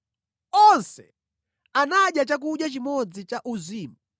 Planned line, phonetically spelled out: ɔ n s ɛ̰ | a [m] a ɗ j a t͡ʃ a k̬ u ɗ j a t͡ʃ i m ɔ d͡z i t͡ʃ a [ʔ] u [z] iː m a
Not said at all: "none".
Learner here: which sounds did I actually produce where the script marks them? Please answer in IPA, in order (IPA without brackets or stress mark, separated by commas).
n, ʔ, z